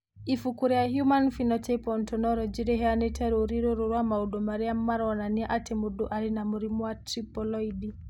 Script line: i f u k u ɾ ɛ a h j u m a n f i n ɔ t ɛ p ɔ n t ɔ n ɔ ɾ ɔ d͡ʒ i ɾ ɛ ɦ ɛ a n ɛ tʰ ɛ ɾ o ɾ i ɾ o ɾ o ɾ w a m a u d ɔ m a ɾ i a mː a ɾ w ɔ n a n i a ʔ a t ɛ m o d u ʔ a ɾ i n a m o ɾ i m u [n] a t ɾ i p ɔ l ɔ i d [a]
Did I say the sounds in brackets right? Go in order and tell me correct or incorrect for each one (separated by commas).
incorrect, incorrect